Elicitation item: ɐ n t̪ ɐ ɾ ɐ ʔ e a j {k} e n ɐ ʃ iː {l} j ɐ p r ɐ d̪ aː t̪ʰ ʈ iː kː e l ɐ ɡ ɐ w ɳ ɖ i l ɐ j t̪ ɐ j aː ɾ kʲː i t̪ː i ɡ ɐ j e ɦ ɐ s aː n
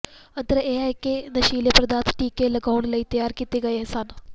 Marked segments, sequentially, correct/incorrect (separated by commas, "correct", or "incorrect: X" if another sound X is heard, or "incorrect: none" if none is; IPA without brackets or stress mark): correct, correct